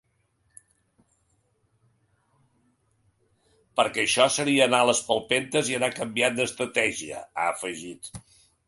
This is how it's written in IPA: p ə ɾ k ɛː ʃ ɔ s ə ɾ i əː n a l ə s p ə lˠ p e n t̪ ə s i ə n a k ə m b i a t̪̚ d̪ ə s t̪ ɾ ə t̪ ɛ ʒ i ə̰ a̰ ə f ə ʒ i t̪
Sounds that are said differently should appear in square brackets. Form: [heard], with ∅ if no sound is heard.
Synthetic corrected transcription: p ə ɾ k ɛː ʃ ɔ s ə ɾ i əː n a l ə s p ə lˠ p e n t̪ ə [z] i ə n a k ə m b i a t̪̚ d̪ ə s t̪ ɾ ə t̪ ɛ ʒ i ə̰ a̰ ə f ə ʒ i t̪